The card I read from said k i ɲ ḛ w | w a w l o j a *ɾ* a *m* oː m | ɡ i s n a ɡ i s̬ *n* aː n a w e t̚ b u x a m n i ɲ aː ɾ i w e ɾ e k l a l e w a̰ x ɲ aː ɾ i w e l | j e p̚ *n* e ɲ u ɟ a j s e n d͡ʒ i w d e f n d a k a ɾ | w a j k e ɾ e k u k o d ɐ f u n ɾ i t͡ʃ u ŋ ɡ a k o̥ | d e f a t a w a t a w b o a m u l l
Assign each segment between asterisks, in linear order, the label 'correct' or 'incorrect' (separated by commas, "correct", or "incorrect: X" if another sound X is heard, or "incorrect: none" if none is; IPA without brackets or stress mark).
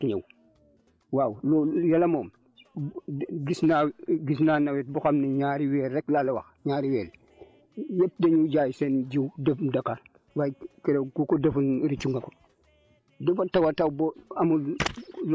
incorrect: l, correct, correct, incorrect: d